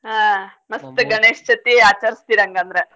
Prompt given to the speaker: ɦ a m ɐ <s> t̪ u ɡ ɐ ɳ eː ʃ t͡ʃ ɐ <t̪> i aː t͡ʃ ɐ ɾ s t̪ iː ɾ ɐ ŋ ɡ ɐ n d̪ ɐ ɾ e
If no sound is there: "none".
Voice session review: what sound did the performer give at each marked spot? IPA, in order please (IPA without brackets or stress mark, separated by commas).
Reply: s, t̪